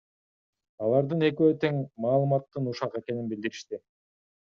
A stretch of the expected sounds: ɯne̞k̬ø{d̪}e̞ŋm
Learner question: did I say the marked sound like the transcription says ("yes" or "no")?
no